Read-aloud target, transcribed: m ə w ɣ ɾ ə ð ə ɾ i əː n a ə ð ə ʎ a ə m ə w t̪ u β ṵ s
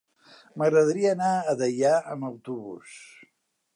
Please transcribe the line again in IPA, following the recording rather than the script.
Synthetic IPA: m ə ɣ ɾ ə ð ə ɾ i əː n a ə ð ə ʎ a ə m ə w t̪ u β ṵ s